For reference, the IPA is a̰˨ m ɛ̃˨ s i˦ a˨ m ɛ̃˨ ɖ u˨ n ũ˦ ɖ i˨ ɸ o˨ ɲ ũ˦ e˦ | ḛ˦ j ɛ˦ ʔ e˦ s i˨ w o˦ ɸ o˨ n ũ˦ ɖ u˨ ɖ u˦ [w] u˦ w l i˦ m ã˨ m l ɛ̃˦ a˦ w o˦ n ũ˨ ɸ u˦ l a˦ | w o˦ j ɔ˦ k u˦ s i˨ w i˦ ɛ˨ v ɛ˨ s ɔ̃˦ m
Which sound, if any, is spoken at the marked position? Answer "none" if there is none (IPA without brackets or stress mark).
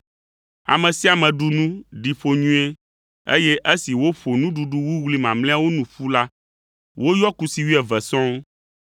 w